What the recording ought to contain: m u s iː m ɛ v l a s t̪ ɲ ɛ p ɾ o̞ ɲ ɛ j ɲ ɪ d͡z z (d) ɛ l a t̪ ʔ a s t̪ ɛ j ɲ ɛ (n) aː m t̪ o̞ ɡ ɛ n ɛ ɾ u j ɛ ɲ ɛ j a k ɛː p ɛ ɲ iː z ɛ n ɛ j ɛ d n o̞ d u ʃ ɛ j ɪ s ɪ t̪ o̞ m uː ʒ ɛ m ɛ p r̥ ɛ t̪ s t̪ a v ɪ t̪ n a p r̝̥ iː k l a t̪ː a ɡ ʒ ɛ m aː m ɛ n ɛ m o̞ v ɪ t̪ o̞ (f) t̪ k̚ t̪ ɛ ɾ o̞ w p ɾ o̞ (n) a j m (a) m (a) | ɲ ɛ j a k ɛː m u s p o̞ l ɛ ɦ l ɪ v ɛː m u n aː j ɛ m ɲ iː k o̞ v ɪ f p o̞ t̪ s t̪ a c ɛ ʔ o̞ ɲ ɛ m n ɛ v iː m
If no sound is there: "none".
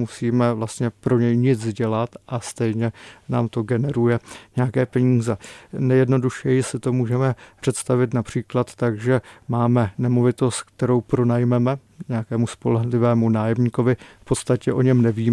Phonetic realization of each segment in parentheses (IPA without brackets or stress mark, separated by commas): ɟ, n, s, n, ɛ, ɛ